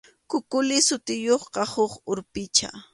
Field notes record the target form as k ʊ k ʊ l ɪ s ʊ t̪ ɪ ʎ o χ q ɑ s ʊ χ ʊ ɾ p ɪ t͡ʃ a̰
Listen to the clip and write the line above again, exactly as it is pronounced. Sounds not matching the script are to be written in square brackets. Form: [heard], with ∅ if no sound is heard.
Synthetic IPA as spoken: k ʊ k ʊ l ɪ s ʊ t̪ ɪ [j] o χ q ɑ [h] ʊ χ ʊ ɾ p ɪ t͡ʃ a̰